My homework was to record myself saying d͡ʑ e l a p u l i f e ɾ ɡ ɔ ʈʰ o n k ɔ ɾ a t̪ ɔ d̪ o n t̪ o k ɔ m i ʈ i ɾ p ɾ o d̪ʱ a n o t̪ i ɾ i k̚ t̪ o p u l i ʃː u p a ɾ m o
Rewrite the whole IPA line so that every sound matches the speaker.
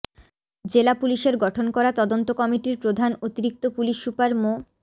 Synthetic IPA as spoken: d͡ʑ e l a p u l i ʃ e ɾ ɡ ɔ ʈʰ o n k ɔ ɾ a t̪ ɔ d̪ o n t̪ o k ɔ m i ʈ i ɾ p ɾ o d̪ʱ a n o t̪ i ɾ i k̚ t̪ o p u l i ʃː u p a ɾ m o

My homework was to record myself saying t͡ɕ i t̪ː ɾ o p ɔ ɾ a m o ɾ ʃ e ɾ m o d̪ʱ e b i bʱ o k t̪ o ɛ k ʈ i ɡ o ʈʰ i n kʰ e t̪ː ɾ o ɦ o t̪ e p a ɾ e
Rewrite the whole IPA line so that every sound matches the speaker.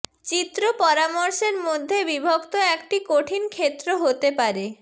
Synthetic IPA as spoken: t͡ɕ i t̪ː ɾ o p ɔ ɾ a m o ɾ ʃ e ɾ m o d̪ʱː e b i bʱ o k t̪ o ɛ k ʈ i k o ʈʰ i n kʰ e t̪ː ɾ o ɦ o t̪ e p a ɾ e

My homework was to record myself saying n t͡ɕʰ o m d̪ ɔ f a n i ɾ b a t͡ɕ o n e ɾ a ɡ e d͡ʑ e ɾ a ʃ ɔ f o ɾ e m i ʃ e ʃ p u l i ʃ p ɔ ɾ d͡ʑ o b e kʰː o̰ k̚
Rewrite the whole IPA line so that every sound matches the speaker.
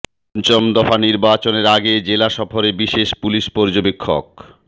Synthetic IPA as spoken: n t͡ɕ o m d̪ ɔ f a n i ɾ b a t͡ɕ o n e ɾ a ɡ e d͡ʑ e l a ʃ ɔ f o ɾ e b i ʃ e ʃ p u l i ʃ p ɔ ɾ d͡ʑ o b e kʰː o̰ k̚

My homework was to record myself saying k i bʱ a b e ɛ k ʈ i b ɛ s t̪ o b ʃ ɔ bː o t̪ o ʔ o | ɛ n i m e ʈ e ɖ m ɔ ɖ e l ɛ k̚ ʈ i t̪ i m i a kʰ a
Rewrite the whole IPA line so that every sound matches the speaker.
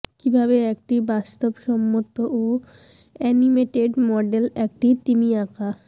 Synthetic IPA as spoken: k i bʱ a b e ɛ k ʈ i b a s t̪ o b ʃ ɔ mː o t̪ o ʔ o | ɛ n i m e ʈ e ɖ m ɔ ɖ e l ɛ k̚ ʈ i t̪ i m i a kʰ a

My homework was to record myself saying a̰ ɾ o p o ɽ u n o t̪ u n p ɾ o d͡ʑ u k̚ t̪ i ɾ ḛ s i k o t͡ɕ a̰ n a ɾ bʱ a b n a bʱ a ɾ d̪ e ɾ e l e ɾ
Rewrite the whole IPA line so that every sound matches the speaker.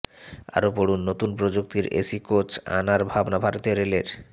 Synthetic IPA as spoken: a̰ ɾ o p o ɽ u nː o t̪ u n p ɾ o d͡ʑ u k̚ t̪ i ɾ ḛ s i k o t͡ɕ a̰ n a ɾ bʱ a b n a bʱ a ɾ t̪ e ɾ e l e ɾ

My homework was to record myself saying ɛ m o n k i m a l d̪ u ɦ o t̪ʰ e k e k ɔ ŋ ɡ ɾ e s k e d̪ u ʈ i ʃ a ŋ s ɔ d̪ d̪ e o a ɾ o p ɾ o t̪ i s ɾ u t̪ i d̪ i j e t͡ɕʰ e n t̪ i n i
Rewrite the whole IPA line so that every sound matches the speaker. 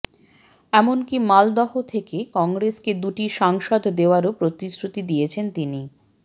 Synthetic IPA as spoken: ɛ m o n k i m a l d̪ ɔ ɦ o t̪ʰ e k e k ɔ ŋ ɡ ɾ e s k e d̪ u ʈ i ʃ a ŋ ʃ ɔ d̪ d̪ e o a ɾ o p ɾ o t̪ i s ɾ u t̪ i d̪ i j e t͡ɕʰ e n t̪ i n i

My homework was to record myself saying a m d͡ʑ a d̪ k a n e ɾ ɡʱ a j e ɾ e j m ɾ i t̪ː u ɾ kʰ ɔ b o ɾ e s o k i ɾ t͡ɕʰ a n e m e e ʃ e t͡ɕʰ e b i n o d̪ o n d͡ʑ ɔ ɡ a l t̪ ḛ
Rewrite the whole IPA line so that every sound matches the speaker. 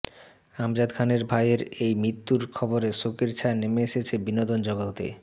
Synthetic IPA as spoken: a m d͡ʑ a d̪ kʰ a n e ɾ bʱ a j e ɾ e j m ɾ i t̪ː u ɾ kʰ ɔ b o ɾ e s o k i ɾ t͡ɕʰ a n e m e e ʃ e t͡ɕʰ e b i n o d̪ o n d͡ʑ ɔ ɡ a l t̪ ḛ

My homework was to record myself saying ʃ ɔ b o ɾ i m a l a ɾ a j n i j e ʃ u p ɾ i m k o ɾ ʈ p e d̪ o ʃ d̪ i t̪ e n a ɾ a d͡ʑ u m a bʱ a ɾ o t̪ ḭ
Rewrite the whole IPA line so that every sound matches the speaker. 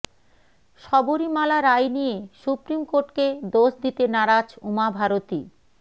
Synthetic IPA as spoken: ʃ ɔ b o ɾ i m a l a ɾ a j n i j e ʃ u p ɾ i m k o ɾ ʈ k e d̪ o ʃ d̪ i t̪ e n a ɾ a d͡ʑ u m a bʱ a ɾ o t̪ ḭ

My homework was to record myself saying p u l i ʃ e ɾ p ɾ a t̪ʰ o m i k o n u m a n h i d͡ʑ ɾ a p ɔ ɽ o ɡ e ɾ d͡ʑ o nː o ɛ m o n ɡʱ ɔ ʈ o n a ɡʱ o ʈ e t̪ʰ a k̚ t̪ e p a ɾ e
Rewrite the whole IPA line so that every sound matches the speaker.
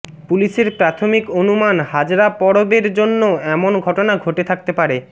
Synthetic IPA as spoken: p u l i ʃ e ɾ p ɾ a t̪ʰ o m i k o n u m a n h a d͡ʑ ɾ a p ɔ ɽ o b e ɾ d͡ʑ o nː o ɛ m o n ɡʱ ɔ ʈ o n a ɡʱ o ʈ e t̪ʰ a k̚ t̪ e p a ɾ e

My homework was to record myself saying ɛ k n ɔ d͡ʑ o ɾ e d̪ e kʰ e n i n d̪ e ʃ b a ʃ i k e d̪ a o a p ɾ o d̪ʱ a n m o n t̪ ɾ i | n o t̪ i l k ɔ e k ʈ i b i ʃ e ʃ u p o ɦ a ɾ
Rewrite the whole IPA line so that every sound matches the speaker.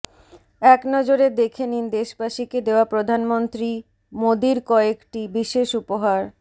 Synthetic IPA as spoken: ɛ k n ɔ d͡ʑ o ɾ e d̪ e kʰ e n i n d̪ e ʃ b a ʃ i k e d̪ e o a p ɾ o d̪ʱ a n m o n t̪ ɾ i | m o d̪ i ɾ k ɔ e k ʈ i b i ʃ e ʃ u p o ɦ a ɾ

